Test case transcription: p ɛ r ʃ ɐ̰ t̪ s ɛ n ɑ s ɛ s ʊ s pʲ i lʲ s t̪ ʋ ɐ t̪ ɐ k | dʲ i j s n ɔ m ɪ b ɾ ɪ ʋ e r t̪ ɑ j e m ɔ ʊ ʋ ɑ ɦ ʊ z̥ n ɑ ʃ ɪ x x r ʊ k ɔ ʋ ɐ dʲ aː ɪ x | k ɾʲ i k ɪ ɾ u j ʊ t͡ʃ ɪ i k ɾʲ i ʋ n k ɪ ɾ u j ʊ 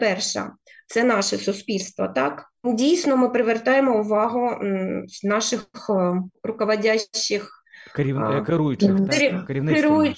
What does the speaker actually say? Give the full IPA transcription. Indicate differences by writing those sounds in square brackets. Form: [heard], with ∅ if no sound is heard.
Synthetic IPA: p ɛ r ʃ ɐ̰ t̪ s ɛ n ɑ [ʃ] ɛ s ʊ s pʲ i lʲ s t̪ ʋ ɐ t̪ [ɑ] k | dʲ i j s n ɔ m ɪ [p] ɾ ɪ ʋ e r t̪ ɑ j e m ɔ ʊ ʋ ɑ ɦ ʊ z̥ n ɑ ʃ ɪ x x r ʊ k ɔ ʋ ɐ dʲ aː ɪ x | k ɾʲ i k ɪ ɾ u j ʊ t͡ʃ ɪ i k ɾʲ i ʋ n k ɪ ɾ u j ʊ